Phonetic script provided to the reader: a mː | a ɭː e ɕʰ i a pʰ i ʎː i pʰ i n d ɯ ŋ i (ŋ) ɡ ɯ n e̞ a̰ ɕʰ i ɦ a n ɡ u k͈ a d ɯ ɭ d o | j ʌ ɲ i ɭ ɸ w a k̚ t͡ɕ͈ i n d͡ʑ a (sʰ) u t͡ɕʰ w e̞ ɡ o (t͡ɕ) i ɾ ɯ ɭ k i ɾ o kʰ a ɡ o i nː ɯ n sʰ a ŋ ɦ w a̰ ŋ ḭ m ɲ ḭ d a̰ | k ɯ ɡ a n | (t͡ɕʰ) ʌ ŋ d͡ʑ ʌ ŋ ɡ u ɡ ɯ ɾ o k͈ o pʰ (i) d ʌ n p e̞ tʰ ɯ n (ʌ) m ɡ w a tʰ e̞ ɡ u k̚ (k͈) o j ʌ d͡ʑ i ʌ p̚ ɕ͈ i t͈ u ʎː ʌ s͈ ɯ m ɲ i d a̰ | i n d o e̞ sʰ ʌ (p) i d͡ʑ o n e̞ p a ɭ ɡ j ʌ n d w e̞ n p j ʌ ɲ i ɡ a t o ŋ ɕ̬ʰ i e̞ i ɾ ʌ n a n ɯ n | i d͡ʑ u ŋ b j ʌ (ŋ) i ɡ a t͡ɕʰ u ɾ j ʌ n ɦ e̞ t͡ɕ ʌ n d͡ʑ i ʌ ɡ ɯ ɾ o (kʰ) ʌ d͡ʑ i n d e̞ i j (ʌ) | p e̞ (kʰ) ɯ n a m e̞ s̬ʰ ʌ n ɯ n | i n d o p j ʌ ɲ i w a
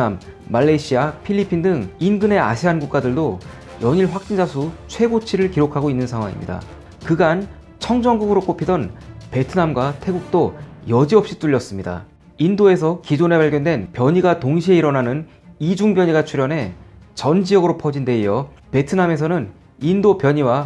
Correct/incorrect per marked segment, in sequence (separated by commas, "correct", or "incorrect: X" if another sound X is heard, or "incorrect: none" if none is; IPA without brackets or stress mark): incorrect: n, correct, incorrect: t͡ɕʰ, correct, correct, incorrect: a, incorrect: t͈, incorrect: k, incorrect: ɲ, incorrect: pʰ, correct, incorrect: tʰ